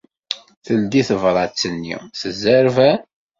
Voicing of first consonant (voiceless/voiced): voiceless